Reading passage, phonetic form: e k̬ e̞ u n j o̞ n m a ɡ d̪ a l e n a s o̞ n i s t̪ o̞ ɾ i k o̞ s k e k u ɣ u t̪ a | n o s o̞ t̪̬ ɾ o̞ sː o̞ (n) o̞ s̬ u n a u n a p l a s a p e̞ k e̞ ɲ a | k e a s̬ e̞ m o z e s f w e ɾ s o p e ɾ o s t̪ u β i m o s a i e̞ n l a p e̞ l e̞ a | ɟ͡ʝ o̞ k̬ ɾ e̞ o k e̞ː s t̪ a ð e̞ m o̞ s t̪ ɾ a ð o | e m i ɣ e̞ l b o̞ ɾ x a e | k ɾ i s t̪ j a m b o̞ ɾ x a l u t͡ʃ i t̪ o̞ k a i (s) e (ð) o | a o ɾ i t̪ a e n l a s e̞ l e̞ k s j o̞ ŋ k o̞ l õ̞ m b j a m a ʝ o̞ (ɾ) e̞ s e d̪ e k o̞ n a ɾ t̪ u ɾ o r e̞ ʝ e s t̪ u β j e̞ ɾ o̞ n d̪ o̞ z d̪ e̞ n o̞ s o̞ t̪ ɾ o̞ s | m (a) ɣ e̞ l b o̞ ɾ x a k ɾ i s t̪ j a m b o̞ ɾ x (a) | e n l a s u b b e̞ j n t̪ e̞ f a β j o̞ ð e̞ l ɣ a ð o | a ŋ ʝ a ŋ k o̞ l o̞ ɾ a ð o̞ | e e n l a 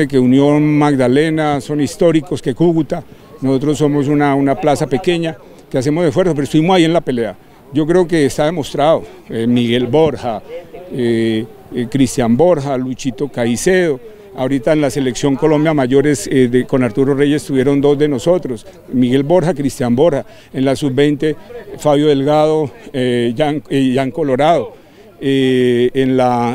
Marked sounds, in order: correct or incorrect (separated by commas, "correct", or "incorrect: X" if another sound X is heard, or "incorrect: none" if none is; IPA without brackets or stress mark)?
incorrect: m, correct, correct, correct, incorrect: i, correct